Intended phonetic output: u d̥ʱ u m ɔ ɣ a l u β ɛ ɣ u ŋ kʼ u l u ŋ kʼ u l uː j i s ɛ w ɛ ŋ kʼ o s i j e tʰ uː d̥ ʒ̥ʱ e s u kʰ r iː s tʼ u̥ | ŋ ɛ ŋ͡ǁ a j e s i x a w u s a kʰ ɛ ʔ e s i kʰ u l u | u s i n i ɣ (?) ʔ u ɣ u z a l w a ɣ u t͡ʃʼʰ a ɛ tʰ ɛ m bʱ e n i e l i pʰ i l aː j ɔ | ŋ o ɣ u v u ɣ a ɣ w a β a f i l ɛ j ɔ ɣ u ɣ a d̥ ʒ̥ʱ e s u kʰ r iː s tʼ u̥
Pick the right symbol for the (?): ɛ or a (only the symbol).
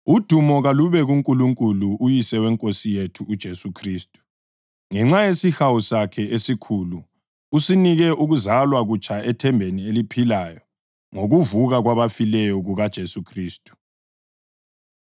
ɛ